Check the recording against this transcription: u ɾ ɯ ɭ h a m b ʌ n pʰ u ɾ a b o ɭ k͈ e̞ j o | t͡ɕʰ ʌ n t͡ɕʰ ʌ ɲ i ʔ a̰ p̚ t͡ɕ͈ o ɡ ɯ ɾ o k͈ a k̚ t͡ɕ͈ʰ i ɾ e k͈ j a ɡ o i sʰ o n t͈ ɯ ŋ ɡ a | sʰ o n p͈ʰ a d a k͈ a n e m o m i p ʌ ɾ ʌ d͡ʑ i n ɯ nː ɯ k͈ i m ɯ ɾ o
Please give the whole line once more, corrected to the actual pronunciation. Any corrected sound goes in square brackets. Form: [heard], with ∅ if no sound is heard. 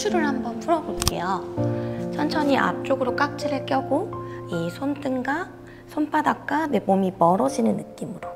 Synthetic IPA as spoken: u ɾ ɯ ɭ h a m b ʌ n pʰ u ɾ [ʌ] b o ɭ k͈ e̞ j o | t͡ɕʰ ʌ n t͡ɕʰ ʌ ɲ i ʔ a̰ p̚ t͡ɕ͈ o ɡ ɯ ɾ o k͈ a k̚ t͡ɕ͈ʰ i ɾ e k͈ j [ʌ] ɡ o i sʰ o n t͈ ɯ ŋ ɡ a | sʰ o n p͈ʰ a d a k͈ a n e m o m i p ʌ ɾ ʌ d͡ʑ i n ɯ nː ɯ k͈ i m ɯ ɾ o